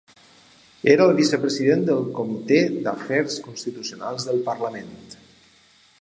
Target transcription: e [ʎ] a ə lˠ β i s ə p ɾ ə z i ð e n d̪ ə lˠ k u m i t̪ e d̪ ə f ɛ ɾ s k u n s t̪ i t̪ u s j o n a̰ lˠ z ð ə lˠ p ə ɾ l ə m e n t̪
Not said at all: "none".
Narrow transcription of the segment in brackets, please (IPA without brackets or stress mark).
ɾ